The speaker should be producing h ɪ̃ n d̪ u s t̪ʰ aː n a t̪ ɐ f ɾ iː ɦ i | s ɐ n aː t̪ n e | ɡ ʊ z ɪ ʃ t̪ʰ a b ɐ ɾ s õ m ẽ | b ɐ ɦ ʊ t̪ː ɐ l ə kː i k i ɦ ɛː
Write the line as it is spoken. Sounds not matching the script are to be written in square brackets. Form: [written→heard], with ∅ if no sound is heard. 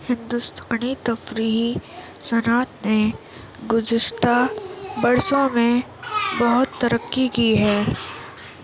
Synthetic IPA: h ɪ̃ n d̪ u s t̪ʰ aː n [a→i] t̪ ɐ f ɾ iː ɦ i | s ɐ n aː t̪ n e | ɡ ʊ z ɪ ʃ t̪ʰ a b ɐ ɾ s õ m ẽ | b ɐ ɦ ʊ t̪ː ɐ [l→ɾ] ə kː i k i ɦ ɛː